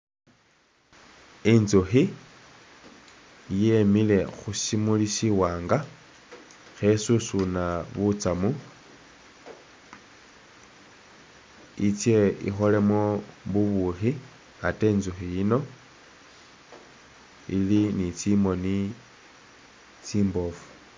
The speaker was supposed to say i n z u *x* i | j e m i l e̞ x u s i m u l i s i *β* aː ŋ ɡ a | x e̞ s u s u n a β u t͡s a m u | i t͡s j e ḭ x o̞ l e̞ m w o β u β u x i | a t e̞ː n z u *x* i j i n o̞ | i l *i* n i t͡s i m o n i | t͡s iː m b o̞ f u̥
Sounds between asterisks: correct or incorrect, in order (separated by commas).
correct, incorrect, correct, correct